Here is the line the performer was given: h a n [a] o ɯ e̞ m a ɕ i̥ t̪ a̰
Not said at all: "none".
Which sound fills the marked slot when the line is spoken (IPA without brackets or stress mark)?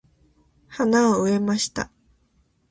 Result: a